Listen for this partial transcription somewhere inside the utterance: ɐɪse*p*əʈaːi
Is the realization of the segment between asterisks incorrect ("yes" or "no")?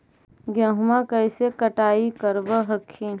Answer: yes